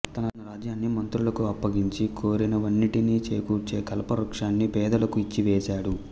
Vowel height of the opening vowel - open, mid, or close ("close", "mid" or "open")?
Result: open